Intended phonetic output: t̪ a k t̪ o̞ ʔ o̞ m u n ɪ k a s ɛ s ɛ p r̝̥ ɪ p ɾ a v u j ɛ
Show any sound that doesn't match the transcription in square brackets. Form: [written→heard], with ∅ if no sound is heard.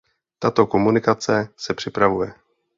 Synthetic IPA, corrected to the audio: t̪ a [k→∅] t̪ o̞ [ʔ→k] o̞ m u n ɪ k a [s→t͡s] ɛ s ɛ p r̝̥ ɪ p ɾ a v u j ɛ